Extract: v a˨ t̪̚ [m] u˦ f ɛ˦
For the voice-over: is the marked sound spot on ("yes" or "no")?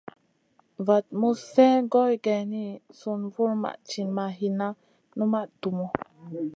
yes